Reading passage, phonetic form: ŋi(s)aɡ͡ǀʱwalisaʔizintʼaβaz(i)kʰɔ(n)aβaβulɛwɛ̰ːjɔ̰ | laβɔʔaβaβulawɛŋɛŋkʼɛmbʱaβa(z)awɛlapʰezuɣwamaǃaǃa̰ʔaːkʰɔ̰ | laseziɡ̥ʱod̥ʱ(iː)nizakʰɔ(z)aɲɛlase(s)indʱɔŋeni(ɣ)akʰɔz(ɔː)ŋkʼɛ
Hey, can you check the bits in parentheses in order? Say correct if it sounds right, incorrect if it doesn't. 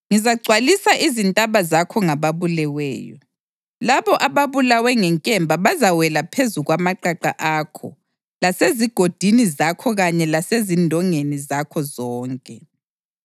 incorrect: z, incorrect: a, incorrect: ŋ, correct, incorrect: i, incorrect: ɣ, incorrect: z, incorrect: z, correct

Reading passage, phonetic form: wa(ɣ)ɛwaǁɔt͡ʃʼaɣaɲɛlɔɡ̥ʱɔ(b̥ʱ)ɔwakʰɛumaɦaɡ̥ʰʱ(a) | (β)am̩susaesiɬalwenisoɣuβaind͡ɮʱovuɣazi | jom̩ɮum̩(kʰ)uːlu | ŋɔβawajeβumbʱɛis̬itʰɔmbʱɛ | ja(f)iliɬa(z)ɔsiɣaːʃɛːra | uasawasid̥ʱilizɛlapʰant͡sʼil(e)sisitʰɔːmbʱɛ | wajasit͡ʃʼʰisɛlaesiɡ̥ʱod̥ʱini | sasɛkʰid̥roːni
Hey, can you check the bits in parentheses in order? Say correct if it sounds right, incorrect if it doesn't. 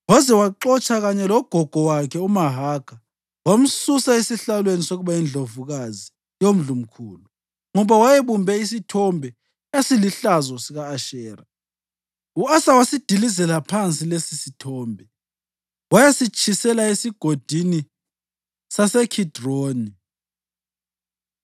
incorrect: z, incorrect: ɡ̥ʱ, correct, incorrect: w, correct, incorrect: s, correct, correct

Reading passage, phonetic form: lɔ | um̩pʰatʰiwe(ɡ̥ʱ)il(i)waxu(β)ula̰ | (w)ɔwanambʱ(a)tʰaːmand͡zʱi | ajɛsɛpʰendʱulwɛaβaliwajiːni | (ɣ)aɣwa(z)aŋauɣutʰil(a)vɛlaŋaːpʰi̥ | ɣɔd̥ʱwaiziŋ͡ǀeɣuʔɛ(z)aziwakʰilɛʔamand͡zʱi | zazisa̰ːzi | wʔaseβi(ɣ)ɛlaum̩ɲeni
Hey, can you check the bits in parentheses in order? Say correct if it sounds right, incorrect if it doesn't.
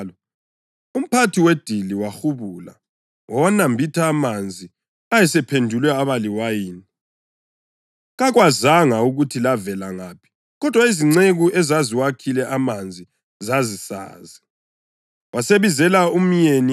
incorrect: d̥ʱ, correct, correct, correct, incorrect: i, correct, correct, correct, correct, incorrect: z

